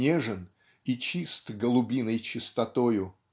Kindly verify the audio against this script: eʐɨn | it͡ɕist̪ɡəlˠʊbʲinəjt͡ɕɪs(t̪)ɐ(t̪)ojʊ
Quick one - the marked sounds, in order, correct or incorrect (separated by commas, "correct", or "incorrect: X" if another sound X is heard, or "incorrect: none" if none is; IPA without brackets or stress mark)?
correct, correct